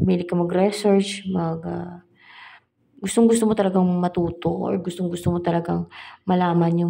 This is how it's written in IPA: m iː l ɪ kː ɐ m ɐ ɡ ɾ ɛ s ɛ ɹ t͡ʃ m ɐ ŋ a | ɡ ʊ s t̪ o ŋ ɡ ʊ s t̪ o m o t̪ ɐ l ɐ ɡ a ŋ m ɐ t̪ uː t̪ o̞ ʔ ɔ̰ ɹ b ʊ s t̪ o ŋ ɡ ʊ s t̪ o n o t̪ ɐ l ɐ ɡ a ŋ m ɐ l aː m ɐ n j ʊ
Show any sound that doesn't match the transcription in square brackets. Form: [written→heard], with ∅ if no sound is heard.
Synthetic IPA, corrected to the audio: m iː l ɪ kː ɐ m ɐ ɡ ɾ ɛ s ɛ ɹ t͡ʃ m ɐ [ŋ→ɡ] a | ɡ ʊ s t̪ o ŋ ɡ ʊ s t̪ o m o t̪ ɐ l ɐ ɡ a ŋ m ɐ t̪ uː t̪ o̞ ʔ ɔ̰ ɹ [b→ɡ] ʊ s t̪ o ŋ ɡ ʊ s t̪ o [n→m] o t̪ ɐ l ɐ ɡ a ŋ m ɐ l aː m ɐ n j ʊ